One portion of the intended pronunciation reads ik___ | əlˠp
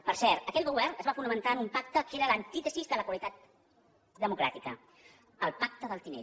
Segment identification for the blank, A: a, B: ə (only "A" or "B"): B